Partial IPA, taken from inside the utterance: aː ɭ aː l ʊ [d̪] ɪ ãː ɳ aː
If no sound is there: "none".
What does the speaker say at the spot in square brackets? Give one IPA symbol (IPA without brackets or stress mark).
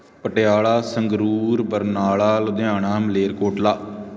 d̪